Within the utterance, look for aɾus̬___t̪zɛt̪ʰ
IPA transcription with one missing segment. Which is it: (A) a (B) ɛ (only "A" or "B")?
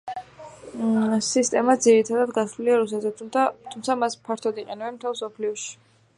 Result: B